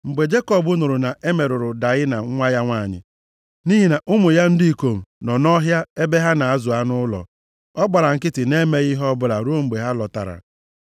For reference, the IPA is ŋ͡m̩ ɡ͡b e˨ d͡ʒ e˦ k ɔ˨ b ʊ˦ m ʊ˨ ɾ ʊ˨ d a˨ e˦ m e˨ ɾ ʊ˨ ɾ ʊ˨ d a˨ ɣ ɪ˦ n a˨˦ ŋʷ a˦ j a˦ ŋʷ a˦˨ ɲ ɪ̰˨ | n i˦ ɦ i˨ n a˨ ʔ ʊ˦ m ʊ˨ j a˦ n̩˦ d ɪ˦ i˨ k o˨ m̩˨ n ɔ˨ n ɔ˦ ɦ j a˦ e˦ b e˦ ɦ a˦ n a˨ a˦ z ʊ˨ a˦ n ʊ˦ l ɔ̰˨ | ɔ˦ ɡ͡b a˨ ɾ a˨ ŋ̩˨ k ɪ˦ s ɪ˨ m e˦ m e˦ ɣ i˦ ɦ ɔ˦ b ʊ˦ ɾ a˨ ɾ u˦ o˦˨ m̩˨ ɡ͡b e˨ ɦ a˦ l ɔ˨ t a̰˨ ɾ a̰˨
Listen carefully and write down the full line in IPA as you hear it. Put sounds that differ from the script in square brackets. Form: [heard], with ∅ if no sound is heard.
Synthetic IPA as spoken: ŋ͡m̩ ɡ͡b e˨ d͡ʒ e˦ k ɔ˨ b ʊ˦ [n] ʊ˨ ɾ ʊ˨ [n] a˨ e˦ m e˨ ɾ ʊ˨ ɾ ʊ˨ d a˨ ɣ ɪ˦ n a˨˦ ŋʷ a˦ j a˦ ŋʷ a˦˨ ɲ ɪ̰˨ | n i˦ ɦ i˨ n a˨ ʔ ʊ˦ m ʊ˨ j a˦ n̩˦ d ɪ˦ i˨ k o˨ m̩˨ n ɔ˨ n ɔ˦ ɦ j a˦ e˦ b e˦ ɦ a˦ n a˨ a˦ z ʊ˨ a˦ n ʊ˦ l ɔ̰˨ | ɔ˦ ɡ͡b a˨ ɾ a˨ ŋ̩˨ k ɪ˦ [t] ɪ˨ [n] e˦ m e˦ ɣ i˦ ɦ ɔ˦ b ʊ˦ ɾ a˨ ɾ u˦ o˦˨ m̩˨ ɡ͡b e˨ ɦ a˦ l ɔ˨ t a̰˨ ɾ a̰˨